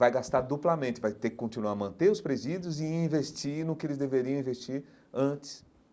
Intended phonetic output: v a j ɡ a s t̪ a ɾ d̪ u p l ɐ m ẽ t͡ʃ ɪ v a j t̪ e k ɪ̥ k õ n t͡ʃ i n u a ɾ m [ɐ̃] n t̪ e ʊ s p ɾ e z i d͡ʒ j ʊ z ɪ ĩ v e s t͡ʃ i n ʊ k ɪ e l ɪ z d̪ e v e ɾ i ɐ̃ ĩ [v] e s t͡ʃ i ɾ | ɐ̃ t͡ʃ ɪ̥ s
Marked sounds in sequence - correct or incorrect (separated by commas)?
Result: correct, correct